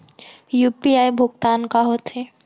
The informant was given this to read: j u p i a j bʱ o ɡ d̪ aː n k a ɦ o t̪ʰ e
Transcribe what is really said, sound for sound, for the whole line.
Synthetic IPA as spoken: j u p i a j bʱ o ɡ t̪ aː n k a ɦ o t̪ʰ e